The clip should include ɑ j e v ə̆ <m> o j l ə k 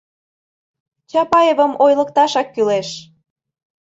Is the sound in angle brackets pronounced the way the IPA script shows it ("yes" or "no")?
yes